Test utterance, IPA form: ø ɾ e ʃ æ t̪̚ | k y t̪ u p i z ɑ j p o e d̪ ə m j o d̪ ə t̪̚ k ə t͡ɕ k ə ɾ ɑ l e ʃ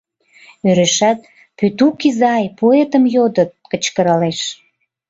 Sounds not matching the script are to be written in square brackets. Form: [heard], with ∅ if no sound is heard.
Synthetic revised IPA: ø ɾ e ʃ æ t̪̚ | [p] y t̪ u [k] i z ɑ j p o e [t̪] ə m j o d̪ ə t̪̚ k ə t͡ɕ k ə ɾ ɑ l e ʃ

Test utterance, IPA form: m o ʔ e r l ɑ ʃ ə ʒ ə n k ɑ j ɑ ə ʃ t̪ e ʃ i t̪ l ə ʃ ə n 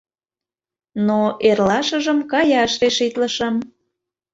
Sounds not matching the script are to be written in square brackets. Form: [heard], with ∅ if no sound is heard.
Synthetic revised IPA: [n] o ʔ e r l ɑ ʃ ə ʒ ə [m] k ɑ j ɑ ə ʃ t̪ e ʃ i t̪ l ə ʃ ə [m]

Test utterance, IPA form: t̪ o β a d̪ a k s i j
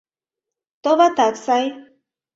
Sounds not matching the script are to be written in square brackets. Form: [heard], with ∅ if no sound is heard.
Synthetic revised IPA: t̪ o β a [t̪] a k s [a] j

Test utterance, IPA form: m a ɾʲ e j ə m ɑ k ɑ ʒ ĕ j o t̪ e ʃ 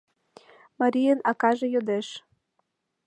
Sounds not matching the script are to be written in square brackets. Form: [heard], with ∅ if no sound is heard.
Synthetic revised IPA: m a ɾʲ [i] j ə [n] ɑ k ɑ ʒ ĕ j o [d̪] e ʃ

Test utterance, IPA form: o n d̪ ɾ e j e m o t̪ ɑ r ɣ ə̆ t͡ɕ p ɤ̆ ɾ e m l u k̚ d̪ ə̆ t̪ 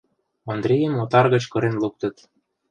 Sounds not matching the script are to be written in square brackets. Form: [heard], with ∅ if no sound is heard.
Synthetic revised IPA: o n d̪ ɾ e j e m o t̪ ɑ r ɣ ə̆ t͡ɕ [k] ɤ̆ ɾ e [n] l u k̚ [t̪] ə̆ t̪

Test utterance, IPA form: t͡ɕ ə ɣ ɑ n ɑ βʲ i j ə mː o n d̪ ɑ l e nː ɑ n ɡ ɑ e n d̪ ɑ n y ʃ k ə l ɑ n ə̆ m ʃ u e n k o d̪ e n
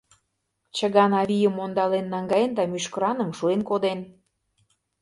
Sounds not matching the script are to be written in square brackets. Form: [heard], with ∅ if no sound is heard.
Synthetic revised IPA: t͡ɕ ə ɣ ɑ n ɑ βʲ i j ə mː o n d̪ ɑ l e nː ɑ [ŋ] ɡ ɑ e n d̪ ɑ [m] y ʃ k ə [ɾ] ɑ n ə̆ m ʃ u e n k o d̪ e n

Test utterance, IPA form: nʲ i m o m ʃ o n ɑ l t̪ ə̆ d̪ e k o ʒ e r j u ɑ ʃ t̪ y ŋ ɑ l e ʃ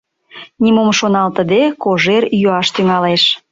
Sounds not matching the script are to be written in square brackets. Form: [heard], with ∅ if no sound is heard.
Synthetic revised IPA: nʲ i m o m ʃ o n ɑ l t̪ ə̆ d̪ e k o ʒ e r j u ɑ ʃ t̪ y ŋ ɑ l e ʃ

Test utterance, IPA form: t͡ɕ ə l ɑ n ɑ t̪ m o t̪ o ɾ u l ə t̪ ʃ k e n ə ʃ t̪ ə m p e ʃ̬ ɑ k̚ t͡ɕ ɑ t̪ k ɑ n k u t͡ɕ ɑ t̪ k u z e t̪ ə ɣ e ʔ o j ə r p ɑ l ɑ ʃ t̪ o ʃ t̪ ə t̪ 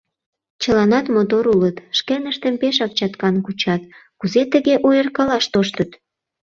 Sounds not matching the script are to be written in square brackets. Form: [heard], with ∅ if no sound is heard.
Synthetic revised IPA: t͡ɕ ə l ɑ n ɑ t̪ m o t̪ o ɾ u l ə t̪ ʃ k e n ə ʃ t̪ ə m p e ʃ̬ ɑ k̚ t͡ɕ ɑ t̪ k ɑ n k u t͡ɕ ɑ t̪ k u z e t̪ ə ɣ e ʔ o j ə r [k] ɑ l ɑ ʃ t̪ o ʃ t̪ ə t̪

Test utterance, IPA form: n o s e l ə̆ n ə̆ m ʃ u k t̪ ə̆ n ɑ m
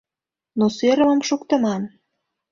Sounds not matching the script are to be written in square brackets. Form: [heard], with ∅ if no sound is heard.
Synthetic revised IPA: n o s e [ɾ] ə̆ [m] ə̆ m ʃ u k t̪ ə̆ [m] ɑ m

